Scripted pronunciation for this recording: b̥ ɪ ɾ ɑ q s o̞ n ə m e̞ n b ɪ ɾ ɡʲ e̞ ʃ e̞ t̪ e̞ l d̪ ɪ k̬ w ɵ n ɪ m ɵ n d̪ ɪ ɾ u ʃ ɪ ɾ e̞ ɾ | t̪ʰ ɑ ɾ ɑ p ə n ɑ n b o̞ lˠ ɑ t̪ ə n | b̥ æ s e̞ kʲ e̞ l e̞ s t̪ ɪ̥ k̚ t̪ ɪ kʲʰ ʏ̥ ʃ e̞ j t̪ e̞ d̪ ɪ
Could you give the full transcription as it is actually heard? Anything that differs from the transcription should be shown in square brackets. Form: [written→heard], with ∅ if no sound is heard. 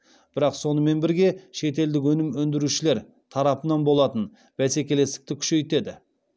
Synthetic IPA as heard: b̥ ɪ ɾ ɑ q s o̞ n ə m e̞ n b ɪ ɾ ɡʲ e̞ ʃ e̞ t̪ e̞ l d̪ ɪ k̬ w ɵ n ɪ m ɵ n d̪ ɪ ɾ u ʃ ɪ [ɾ→l] e̞ ɾ | t̪ʰ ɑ ɾ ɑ p ə n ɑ n b o̞ lˠ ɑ t̪ ə n | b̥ æ s e̞ kʲ e̞ l e̞ s t̪ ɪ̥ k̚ t̪ ɪ kʲʰ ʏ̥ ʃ e̞ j t̪ e̞ d̪ ɪ